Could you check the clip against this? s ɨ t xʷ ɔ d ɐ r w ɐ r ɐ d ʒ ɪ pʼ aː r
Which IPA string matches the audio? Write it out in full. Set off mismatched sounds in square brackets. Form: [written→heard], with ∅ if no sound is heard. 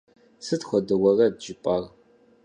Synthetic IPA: s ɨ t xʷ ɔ d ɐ [r→∅] w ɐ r ɐ d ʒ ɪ pʼ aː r